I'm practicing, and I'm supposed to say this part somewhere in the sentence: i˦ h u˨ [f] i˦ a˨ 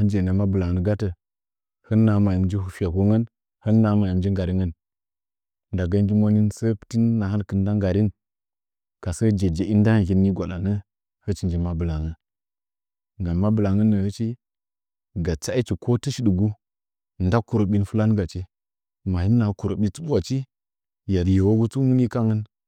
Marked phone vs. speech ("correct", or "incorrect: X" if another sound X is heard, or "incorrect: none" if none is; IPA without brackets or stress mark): correct